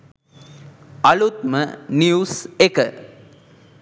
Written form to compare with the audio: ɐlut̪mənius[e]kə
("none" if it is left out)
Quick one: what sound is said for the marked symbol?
e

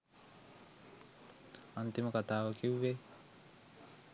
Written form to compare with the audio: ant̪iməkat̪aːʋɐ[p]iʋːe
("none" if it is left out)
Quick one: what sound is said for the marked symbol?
k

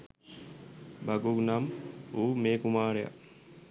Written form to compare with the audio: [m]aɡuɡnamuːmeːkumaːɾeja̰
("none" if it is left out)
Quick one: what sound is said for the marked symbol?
b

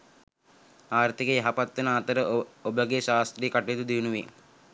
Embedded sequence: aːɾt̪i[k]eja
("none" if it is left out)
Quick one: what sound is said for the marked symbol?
k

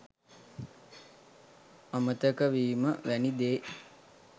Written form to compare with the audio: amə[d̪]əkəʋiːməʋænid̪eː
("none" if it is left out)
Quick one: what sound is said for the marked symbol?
t̪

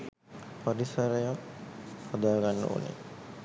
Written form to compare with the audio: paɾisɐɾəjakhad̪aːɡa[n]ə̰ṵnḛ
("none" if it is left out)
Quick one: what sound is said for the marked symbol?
nː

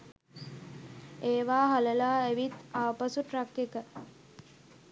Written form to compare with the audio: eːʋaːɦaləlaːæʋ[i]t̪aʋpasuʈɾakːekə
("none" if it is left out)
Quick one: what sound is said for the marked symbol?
i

